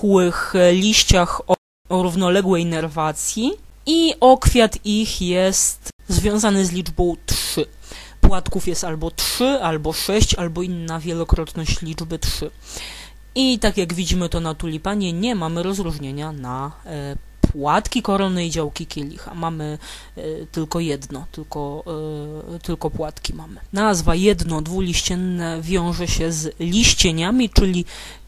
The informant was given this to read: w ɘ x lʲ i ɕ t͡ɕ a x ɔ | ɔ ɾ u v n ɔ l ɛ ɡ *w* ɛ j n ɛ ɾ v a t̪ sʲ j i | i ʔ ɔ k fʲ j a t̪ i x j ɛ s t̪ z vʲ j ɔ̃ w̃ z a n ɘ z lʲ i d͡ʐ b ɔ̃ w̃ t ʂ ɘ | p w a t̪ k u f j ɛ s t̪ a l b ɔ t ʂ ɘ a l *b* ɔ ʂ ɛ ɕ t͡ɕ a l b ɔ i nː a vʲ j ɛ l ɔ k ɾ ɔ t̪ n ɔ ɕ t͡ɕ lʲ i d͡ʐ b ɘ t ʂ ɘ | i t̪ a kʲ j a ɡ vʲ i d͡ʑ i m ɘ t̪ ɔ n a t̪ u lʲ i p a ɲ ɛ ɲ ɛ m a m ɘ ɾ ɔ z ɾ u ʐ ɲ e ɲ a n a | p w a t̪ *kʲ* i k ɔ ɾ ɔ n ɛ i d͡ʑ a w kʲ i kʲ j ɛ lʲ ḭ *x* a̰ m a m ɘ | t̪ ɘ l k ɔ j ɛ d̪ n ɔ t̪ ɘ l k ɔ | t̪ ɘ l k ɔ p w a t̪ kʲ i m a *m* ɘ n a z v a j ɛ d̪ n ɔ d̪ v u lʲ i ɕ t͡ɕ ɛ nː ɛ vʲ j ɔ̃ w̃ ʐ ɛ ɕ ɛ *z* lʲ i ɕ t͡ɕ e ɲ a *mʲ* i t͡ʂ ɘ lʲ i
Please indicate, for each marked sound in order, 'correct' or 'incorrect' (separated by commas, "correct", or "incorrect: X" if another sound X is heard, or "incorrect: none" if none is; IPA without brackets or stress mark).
correct, correct, correct, correct, correct, correct, correct